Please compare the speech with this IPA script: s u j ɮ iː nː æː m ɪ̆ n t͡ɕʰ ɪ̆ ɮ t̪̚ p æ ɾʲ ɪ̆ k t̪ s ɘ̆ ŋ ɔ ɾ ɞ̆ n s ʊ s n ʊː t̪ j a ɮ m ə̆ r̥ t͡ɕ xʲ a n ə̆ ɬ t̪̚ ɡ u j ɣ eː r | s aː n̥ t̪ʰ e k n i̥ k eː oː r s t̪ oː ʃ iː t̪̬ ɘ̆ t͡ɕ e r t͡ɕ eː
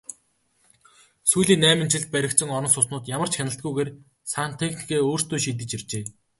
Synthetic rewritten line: s u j ɮ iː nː æː m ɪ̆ n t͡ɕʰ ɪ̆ ɮ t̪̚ p æ ɾʲ ɪ̆ k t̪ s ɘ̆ ŋ ɔ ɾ ɞ̆ n s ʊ s n ʊː t̪ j a m ə̆ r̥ t͡ɕ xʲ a n ə̆ ɬ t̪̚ ɡ u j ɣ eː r | s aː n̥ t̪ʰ e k n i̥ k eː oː r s t̪ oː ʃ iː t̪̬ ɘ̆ t͡ɕ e r t͡ɕ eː